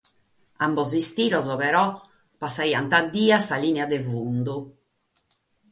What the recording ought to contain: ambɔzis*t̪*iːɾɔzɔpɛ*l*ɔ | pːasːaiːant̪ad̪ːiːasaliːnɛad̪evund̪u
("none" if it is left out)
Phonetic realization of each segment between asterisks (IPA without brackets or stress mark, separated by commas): t̪, ɾ